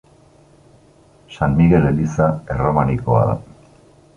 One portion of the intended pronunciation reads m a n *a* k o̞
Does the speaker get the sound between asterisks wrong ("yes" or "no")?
yes